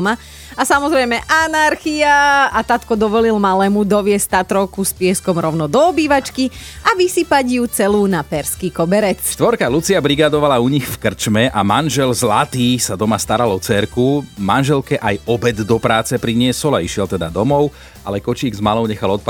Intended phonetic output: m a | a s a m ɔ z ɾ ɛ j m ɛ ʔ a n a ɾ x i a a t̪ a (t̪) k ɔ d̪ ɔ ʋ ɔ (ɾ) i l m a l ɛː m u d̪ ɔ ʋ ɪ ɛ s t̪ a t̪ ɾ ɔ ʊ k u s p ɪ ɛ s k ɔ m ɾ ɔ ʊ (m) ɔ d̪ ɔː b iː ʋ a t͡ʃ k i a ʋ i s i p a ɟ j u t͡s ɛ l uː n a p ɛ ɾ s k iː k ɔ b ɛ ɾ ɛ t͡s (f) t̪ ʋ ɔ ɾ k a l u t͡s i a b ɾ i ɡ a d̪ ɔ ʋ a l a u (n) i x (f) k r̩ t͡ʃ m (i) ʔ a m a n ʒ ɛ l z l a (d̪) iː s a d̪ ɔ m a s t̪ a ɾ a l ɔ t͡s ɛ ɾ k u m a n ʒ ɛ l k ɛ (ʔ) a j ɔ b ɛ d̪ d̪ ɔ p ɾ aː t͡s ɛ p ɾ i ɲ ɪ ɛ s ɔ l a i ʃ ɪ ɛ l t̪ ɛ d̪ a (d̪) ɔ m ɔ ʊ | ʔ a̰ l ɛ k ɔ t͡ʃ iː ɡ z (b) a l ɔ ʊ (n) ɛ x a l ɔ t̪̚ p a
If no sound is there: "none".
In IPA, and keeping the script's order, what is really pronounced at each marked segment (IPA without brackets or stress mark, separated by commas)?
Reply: t̪, l, n, ʃ, ɲ, f, ɛ, t̪, ʔ, d̪, m, ɲ